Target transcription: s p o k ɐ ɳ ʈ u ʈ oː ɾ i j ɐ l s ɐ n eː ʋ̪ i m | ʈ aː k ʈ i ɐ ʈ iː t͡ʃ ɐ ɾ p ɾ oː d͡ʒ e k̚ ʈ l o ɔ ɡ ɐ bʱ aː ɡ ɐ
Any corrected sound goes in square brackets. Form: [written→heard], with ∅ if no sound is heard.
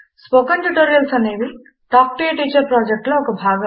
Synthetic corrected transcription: s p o k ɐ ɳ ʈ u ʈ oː ɾ i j ɐ l s ɐ n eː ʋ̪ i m | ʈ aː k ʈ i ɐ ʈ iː t͡ʃ ɐ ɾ p ɾ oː d͡ʒ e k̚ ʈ l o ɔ [ɡ→k] ɐ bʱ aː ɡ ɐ